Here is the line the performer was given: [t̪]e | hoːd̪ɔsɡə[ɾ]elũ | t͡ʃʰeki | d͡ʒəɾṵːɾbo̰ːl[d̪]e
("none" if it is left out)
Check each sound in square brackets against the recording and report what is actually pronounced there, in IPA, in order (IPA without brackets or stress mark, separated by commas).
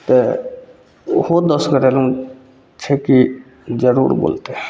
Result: t̪, ɾ, t̪